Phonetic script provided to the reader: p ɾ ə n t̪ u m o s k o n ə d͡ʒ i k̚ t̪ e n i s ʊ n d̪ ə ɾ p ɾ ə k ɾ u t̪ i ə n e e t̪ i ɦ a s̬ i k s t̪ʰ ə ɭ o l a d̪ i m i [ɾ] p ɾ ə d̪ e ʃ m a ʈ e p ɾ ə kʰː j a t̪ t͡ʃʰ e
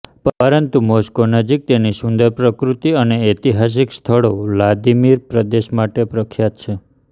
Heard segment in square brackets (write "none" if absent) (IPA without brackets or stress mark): ɾ